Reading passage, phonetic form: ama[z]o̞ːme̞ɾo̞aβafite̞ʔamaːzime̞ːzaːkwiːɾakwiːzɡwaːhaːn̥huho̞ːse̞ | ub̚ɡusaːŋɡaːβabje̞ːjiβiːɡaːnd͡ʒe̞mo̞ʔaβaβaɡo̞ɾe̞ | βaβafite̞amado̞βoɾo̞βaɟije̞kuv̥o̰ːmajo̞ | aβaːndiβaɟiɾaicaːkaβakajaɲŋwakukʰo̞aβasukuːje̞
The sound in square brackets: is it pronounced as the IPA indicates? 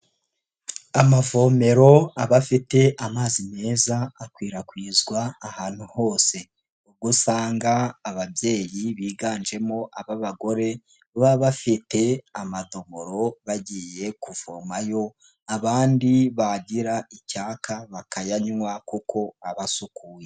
no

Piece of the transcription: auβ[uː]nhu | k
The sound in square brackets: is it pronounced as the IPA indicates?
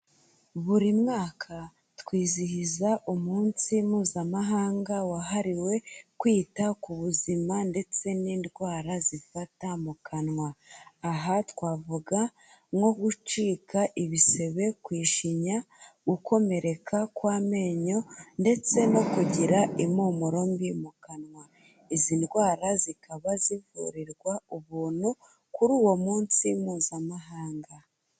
yes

